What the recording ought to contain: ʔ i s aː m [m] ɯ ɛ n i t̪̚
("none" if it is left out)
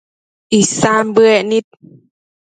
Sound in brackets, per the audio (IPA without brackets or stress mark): b